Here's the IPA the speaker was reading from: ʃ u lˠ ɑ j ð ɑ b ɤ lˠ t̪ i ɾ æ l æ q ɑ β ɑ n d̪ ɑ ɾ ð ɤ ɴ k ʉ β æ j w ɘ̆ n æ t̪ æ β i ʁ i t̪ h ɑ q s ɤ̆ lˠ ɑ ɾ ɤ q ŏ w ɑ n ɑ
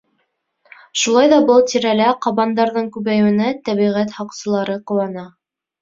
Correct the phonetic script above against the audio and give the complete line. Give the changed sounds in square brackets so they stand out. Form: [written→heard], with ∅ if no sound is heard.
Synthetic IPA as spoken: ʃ u lˠ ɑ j ð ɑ b ɤ lˠ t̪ i ɾ æ l æ q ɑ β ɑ n d̪ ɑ ɾ ð ɤ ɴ k ʉ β æ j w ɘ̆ n æ t̪ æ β i ʁ [i→æ] t̪ h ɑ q s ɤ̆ lˠ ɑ ɾ ɤ q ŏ w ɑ n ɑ